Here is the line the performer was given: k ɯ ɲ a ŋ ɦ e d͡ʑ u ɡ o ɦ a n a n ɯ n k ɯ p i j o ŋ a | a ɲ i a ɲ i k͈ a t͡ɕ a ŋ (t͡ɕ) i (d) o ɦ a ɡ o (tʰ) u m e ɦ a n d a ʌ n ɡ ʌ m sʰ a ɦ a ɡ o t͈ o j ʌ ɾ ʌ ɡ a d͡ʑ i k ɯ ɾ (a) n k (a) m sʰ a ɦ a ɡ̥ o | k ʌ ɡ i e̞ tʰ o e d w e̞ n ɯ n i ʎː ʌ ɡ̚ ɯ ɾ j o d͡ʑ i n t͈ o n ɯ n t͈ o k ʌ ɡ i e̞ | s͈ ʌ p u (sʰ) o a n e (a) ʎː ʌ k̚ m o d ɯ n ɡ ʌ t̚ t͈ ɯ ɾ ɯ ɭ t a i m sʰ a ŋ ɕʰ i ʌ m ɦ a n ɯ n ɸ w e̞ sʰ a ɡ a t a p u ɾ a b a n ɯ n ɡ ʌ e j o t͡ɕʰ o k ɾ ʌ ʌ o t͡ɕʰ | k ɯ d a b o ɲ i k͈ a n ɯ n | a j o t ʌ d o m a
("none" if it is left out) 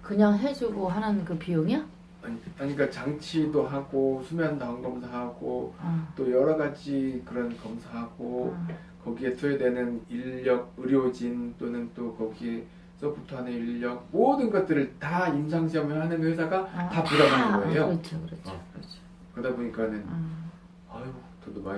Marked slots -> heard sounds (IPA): t͡ɕʰ, d, sʰ, ʌ, ʌ, tʰ, i

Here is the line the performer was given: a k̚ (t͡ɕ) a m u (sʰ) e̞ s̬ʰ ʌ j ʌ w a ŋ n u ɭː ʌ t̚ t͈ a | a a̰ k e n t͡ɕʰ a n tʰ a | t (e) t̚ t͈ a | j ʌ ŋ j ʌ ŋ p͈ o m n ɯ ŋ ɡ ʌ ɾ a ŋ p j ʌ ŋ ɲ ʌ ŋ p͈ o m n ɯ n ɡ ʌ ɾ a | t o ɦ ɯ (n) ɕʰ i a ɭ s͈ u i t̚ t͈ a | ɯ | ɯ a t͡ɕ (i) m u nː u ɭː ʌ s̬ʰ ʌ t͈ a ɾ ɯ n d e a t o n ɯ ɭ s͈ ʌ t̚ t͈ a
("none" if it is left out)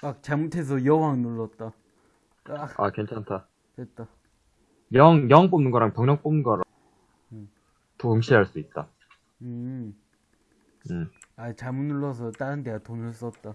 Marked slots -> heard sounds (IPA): t͡ɕ, tʰ, e, ŋ, a

